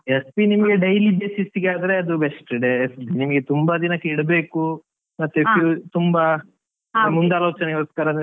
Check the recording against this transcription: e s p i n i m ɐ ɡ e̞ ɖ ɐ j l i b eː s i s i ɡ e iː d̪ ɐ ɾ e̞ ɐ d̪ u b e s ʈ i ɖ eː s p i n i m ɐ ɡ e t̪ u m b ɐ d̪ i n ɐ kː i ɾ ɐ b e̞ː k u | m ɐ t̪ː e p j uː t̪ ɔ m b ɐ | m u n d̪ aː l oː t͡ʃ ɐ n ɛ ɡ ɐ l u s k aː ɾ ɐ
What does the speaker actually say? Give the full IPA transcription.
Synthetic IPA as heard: e s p i n i m ɐ ɡ e̞ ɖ ɐ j l i b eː s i s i ɡ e aː d̪ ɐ ɾ e̞ ɐ d̪ u b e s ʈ i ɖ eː s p i n i m ɐ ɡ e t̪ u m b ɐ d̪ i n ɐ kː i ɽ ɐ b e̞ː k u | m ɐ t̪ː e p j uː t̪ u m b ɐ | m u n d̪ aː l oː t͡ʃ ɐ n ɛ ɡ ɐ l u s k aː ɾ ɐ